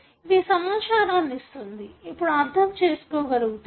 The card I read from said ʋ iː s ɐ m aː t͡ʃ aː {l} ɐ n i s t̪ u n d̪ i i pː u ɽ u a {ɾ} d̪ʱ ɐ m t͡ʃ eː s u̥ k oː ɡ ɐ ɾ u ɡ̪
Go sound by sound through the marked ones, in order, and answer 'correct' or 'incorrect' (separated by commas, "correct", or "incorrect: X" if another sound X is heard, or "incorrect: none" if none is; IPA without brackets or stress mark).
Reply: incorrect: ɾ, correct